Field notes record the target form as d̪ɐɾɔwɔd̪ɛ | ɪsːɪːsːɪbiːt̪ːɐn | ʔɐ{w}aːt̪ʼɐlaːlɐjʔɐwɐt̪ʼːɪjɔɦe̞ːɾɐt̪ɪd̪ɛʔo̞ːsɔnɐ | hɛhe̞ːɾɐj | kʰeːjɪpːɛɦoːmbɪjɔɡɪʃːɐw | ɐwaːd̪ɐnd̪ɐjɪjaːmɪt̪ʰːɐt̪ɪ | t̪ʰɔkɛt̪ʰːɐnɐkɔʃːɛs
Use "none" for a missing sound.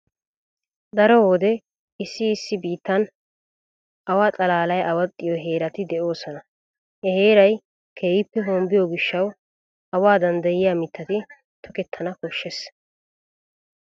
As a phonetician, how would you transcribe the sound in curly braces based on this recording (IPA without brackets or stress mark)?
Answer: w